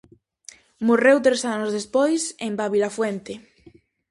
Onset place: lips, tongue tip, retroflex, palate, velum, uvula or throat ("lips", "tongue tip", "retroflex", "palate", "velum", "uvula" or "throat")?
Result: lips